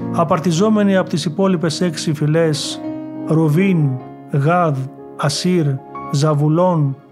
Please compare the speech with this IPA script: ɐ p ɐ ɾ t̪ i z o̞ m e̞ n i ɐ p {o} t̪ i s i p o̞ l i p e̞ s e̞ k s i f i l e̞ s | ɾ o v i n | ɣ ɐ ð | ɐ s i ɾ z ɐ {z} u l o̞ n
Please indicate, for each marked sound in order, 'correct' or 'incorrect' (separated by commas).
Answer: correct, incorrect